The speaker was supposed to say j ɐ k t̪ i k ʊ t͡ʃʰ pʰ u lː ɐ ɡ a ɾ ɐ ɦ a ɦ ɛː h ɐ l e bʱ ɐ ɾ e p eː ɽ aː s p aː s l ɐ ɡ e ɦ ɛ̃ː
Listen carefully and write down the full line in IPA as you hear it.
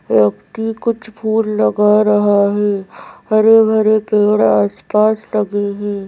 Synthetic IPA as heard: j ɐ k t̪ i k ʊ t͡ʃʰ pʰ uː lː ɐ ɡ a ɾ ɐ ɦ a ɦ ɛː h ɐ ɾ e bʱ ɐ ɾ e p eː ɽ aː s p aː s l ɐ ɡ e ɦ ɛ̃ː